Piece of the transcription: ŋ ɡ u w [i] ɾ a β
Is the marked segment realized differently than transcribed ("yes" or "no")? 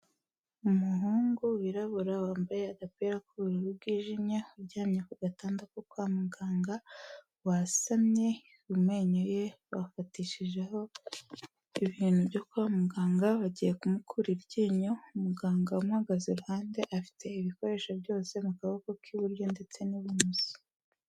no